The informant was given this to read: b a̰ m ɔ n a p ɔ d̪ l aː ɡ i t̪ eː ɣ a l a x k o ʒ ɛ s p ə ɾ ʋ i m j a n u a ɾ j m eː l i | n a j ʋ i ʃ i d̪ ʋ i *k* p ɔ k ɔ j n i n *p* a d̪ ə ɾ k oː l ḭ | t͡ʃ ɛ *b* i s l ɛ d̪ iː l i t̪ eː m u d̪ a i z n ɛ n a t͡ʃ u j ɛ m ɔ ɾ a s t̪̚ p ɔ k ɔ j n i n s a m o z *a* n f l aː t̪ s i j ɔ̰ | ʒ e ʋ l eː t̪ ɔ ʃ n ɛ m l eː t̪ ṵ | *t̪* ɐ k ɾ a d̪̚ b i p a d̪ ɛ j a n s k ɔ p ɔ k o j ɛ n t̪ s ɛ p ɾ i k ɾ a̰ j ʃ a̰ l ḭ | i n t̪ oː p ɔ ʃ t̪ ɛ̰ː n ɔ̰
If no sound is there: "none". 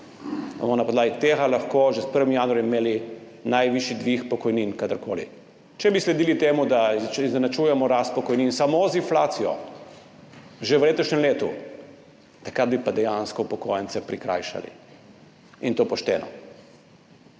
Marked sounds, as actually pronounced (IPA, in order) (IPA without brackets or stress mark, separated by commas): x, k, b, i, t̪